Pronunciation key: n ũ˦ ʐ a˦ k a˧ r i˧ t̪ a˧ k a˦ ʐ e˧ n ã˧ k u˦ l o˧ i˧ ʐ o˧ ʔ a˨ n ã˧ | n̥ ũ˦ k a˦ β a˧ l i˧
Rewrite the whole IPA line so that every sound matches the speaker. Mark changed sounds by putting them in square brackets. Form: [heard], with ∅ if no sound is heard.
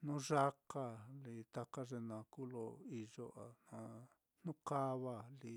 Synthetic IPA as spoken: n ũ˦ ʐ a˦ k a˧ [l] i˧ t̪ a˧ k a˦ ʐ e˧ n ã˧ k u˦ l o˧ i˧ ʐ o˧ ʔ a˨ n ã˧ | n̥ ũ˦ k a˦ β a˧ l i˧